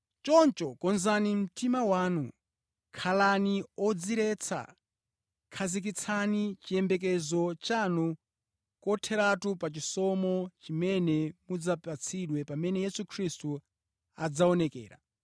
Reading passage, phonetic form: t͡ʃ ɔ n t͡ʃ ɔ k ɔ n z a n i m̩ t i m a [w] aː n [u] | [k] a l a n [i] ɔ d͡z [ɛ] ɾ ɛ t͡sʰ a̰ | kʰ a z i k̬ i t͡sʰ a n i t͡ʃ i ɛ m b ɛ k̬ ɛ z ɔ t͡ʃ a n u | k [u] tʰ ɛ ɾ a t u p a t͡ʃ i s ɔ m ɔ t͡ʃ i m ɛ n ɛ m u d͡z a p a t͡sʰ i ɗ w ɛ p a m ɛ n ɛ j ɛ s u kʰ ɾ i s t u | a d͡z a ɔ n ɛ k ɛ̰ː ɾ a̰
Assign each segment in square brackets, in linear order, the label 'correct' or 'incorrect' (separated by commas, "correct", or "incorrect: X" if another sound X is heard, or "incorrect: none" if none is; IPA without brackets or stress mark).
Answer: correct, correct, incorrect: kʰ, correct, incorrect: i, incorrect: ɔ